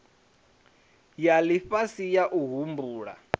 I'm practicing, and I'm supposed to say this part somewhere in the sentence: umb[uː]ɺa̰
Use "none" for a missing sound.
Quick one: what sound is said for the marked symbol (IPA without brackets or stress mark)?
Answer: uː